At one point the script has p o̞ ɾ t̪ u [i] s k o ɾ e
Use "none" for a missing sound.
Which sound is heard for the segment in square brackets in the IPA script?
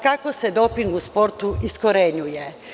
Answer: i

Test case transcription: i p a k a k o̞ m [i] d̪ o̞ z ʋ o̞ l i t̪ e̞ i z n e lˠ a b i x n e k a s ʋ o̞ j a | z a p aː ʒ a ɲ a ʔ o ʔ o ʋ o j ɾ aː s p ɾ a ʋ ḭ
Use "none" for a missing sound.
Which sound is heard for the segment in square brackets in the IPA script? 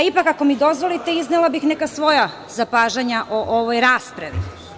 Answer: i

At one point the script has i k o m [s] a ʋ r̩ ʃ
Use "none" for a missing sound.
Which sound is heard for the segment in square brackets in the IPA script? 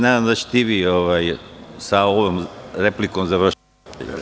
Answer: z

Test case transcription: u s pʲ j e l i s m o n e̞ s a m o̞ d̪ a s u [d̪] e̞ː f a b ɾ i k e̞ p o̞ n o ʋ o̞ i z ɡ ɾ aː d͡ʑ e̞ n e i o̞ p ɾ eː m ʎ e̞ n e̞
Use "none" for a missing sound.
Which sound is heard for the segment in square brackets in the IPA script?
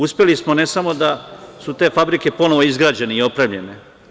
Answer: t̪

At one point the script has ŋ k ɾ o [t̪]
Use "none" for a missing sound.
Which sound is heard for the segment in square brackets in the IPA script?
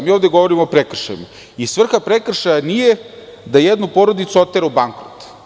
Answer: t̪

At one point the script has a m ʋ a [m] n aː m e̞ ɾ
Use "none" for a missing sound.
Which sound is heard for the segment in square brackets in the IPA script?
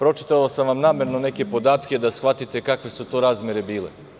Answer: m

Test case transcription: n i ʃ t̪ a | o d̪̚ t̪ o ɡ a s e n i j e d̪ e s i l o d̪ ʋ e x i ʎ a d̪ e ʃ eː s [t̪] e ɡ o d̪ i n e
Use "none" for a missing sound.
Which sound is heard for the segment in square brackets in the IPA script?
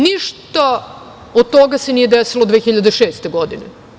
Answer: t̪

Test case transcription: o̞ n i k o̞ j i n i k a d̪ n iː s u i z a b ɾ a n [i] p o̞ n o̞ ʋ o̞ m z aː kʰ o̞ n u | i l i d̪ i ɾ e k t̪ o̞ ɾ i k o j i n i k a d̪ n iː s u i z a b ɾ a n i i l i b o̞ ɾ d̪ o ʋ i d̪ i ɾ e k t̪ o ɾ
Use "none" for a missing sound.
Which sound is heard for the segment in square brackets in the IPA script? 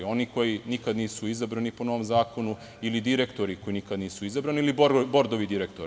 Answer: i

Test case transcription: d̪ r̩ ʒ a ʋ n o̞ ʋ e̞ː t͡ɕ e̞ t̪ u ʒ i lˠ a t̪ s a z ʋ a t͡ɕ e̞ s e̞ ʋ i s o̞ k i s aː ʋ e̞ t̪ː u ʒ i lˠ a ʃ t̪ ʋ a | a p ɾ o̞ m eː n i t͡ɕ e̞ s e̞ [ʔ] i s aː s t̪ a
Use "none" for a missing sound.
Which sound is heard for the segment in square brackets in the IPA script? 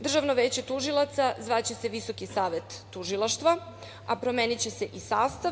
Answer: ʔ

